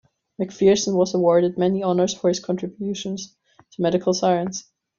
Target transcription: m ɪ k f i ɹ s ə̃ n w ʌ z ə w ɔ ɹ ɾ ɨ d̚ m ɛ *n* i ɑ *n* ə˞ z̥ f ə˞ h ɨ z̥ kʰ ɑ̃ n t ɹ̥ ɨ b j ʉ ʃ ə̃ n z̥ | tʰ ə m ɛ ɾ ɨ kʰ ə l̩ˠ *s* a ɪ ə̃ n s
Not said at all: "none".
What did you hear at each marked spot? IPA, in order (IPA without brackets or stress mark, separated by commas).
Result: n, n, s